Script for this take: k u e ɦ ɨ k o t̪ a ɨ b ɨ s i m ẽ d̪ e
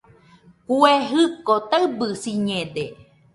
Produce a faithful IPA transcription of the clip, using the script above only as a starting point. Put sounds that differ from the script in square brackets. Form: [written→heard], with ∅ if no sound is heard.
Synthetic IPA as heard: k u e ɦ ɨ k o t̪ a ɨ b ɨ s i [m→ɲ] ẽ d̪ e